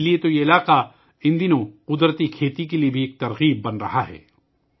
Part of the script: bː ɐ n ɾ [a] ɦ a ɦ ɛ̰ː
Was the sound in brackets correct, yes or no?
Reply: no